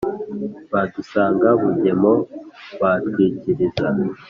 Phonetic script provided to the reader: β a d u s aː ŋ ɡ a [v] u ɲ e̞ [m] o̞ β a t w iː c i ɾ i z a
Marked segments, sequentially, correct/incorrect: incorrect, correct

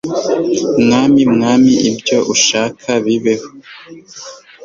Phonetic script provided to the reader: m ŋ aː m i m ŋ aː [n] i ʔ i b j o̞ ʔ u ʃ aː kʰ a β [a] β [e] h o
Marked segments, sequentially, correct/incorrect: incorrect, incorrect, correct

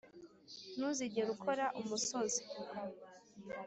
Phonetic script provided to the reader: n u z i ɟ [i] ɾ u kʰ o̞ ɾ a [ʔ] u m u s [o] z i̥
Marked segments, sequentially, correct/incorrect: incorrect, correct, correct

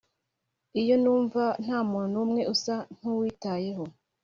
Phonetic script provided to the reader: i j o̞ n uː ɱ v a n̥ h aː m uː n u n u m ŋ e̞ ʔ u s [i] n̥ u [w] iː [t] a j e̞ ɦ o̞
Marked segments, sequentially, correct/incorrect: incorrect, correct, correct

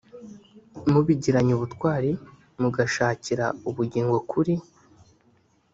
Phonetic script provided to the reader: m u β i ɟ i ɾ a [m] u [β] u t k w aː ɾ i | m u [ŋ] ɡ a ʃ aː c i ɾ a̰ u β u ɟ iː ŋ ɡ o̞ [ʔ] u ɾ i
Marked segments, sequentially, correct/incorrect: incorrect, correct, incorrect, incorrect

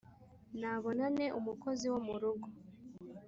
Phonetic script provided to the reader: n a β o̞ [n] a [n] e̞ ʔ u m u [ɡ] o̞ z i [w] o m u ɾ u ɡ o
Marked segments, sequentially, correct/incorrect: correct, correct, incorrect, correct

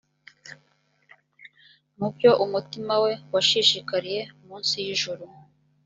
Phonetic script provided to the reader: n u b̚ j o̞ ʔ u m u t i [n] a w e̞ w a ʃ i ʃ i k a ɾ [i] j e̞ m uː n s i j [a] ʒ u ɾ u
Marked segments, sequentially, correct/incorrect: incorrect, correct, incorrect

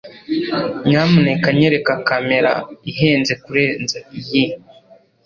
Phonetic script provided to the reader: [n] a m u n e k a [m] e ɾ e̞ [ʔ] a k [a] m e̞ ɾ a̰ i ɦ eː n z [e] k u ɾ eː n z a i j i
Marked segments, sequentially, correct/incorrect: incorrect, incorrect, incorrect, correct, correct

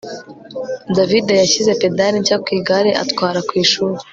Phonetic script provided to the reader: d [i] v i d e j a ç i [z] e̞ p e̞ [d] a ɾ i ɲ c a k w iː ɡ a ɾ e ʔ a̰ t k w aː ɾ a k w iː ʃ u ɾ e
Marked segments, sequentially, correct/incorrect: incorrect, correct, correct

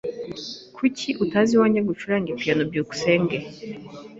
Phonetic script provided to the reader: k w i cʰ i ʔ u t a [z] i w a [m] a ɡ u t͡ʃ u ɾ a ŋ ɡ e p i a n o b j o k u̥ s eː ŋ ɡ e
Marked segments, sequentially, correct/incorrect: correct, incorrect

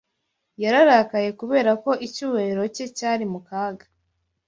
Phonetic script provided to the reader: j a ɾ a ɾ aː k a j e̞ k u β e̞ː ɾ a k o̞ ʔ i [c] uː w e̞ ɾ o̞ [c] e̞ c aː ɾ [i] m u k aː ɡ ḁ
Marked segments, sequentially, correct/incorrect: correct, correct, correct

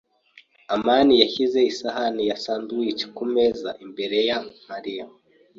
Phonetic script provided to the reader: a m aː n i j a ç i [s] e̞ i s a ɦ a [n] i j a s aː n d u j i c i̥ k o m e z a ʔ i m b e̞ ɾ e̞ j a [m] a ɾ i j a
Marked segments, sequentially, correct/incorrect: incorrect, correct, correct

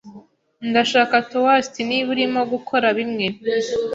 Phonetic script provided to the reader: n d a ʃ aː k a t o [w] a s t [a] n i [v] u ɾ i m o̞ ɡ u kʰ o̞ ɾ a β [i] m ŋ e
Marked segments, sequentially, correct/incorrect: correct, incorrect, incorrect, correct

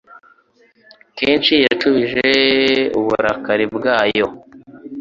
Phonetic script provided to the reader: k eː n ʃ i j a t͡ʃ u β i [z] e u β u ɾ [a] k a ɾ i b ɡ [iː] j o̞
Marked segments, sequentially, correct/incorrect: incorrect, correct, incorrect

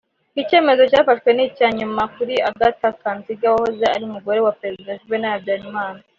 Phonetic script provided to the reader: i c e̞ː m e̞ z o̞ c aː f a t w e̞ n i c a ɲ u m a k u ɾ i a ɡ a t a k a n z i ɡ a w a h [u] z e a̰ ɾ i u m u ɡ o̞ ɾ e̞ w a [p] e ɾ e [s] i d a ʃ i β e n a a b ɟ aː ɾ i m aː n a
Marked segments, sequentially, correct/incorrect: incorrect, correct, incorrect

